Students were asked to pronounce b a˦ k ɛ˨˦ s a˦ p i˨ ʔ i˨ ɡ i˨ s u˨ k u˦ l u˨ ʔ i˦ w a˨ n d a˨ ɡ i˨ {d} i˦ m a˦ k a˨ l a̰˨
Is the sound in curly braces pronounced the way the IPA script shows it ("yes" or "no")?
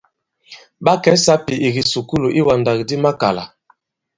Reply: yes